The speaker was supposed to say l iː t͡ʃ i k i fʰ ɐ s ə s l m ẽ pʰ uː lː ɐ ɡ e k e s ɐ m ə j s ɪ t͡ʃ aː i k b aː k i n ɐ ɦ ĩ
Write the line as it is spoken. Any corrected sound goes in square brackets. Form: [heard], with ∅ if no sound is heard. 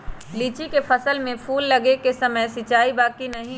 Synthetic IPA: l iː t͡ʃ i k [e] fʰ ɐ s ə [∅] l m ẽ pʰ uː lː ɐ ɡ e k e s ɐ m ə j s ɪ t͡ʃ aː i [∅] b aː k i n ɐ ɦ ĩ

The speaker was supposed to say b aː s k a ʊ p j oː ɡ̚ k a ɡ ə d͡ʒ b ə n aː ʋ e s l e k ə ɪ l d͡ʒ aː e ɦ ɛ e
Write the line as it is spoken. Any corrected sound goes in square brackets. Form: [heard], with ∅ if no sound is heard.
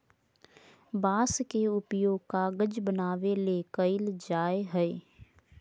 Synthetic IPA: b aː s k [e] ʊ p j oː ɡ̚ k a ɡ ə d͡ʒ b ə n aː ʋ e [∅] l e k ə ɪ l d͡ʒ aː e ɦ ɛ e

